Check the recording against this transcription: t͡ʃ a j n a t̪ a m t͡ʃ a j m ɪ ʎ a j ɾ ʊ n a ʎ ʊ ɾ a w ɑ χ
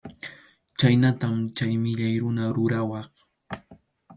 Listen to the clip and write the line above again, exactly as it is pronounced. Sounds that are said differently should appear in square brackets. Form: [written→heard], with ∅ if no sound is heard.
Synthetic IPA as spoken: t͡ʃ a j n a t̪ a m t͡ʃ a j m ɪ ʎ a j ɾ ʊ n a [ʎ→ɾ] ʊ ɾ a w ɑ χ